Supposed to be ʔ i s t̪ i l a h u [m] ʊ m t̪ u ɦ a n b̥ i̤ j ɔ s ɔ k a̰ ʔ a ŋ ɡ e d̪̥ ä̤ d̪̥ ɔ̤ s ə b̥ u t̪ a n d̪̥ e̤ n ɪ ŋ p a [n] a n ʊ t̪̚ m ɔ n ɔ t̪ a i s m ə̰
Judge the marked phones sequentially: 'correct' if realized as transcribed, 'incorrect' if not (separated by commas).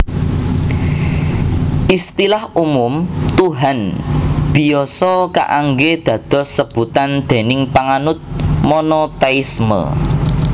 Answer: correct, incorrect